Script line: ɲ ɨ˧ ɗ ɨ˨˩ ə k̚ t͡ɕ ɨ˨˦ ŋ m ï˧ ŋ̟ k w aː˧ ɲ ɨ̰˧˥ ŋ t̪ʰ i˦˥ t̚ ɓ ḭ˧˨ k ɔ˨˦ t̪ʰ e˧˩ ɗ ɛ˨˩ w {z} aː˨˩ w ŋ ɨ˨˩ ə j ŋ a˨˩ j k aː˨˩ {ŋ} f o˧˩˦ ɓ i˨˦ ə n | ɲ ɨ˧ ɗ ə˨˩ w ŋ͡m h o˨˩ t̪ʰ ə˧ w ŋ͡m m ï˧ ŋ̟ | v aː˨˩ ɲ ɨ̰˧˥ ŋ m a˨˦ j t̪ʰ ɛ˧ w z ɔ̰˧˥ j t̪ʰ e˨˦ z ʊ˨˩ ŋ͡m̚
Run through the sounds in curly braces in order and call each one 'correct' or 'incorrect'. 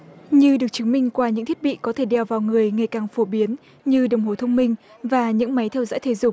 incorrect: v, correct

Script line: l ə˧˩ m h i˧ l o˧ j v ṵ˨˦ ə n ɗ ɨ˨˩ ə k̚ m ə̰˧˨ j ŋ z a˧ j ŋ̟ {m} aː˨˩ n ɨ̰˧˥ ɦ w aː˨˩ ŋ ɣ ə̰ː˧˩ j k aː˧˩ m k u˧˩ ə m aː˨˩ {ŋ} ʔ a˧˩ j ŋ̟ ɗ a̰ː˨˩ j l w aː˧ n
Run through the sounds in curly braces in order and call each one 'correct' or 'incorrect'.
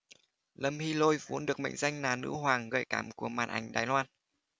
incorrect: n, incorrect: n

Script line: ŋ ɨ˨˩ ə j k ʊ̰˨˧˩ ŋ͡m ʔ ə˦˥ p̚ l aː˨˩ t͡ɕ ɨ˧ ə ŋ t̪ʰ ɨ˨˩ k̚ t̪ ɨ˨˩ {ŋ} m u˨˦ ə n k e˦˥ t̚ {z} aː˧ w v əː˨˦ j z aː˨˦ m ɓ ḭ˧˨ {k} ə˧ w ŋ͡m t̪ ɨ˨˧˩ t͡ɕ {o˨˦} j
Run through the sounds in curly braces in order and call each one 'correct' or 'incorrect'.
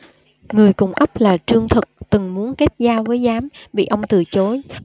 correct, correct, incorrect: ʔ, correct

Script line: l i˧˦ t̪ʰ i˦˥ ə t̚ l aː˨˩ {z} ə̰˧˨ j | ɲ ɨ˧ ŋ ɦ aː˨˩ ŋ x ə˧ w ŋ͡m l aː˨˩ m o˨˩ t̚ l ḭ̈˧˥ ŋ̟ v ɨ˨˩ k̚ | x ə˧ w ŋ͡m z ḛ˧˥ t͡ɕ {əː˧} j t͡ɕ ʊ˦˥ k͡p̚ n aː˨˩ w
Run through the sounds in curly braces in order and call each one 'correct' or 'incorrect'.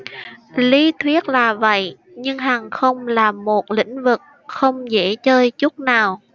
incorrect: v, correct

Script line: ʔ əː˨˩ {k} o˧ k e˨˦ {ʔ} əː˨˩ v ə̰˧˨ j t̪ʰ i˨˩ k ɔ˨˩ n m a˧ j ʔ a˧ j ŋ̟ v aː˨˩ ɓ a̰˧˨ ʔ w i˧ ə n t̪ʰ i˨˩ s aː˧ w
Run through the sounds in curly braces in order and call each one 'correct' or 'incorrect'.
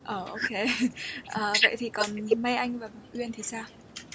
incorrect: ʔ, correct

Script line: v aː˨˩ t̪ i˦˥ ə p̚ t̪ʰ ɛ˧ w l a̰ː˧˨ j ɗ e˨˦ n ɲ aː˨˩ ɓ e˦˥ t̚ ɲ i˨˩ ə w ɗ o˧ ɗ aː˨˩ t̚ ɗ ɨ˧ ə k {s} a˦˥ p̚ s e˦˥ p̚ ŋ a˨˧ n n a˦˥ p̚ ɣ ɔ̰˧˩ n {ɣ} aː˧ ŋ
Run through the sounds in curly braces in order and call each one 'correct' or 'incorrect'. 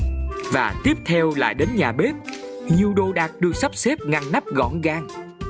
correct, correct

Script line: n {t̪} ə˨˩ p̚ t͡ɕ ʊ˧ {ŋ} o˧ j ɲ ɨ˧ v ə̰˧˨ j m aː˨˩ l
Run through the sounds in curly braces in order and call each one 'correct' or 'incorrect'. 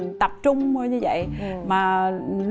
correct, incorrect: ŋ͡m

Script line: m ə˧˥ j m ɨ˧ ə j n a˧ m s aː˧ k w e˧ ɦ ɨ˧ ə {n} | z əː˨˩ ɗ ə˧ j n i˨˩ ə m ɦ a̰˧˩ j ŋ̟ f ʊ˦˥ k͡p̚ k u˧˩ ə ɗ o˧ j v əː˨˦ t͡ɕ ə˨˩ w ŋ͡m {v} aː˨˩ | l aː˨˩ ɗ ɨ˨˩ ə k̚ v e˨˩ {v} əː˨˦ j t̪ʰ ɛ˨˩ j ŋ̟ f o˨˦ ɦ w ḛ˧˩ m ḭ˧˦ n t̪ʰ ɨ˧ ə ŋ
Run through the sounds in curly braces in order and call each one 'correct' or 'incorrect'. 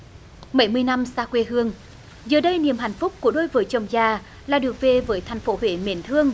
incorrect: ŋ, incorrect: z, correct

